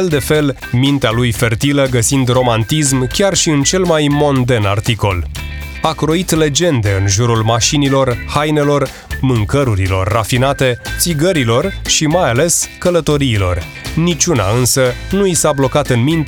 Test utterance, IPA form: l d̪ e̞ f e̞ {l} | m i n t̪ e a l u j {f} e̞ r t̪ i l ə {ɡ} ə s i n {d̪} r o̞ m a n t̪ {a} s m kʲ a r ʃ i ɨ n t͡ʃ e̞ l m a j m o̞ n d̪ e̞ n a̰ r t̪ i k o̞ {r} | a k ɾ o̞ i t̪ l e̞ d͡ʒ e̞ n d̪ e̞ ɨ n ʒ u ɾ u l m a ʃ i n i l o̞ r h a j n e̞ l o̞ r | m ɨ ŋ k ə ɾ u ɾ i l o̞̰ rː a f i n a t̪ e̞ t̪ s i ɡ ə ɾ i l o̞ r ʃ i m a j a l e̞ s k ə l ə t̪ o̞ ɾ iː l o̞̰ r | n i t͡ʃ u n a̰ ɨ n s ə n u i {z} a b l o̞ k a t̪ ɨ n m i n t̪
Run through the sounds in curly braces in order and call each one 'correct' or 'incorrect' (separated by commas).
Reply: correct, correct, correct, correct, incorrect, incorrect, incorrect